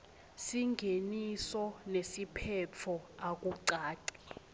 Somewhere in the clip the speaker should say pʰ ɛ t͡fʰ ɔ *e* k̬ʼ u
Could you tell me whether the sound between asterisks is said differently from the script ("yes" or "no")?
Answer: yes